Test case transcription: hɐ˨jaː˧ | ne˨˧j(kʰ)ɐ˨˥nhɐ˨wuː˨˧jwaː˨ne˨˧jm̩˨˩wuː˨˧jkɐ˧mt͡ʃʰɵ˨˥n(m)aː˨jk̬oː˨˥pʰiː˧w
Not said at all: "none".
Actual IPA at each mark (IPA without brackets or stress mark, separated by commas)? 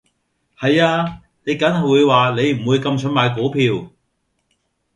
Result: k, m